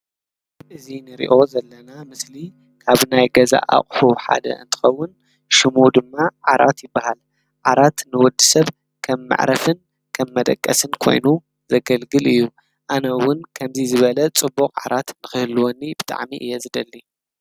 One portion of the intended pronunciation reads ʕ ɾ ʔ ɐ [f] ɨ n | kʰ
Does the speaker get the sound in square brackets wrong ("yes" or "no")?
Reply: no